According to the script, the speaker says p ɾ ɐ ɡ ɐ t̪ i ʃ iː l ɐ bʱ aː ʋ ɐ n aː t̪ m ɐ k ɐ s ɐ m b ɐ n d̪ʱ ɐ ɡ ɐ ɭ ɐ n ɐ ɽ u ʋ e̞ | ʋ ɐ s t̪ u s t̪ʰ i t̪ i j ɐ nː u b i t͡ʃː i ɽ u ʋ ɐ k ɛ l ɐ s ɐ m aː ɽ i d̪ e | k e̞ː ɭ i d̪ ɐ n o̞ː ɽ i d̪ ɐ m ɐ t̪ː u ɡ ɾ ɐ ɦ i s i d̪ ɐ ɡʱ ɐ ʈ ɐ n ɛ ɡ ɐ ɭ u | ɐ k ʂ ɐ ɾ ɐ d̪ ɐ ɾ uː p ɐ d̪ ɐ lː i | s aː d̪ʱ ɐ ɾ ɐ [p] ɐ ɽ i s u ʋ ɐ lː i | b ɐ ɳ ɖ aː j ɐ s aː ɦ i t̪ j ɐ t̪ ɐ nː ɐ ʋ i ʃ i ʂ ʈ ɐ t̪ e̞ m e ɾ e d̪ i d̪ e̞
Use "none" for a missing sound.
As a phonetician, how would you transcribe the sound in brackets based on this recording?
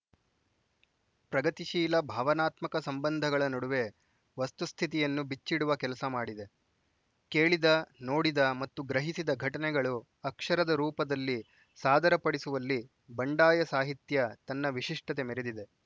p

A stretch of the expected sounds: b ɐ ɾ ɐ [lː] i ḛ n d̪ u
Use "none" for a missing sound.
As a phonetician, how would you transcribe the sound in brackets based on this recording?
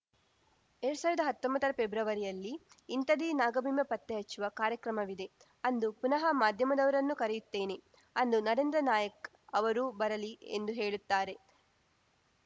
l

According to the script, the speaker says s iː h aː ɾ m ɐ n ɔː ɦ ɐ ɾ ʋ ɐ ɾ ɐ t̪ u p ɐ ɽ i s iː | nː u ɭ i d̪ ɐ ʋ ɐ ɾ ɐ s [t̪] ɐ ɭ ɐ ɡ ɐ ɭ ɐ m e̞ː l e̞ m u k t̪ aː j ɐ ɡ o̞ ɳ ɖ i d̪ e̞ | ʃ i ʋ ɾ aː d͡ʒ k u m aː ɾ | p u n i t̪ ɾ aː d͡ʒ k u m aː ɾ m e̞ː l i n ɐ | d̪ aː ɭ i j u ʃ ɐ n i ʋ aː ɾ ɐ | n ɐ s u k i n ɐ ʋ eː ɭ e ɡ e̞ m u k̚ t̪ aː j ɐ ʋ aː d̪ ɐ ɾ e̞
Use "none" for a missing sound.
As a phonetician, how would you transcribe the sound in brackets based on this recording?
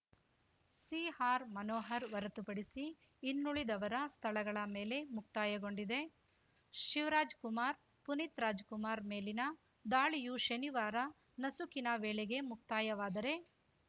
t̪ʰ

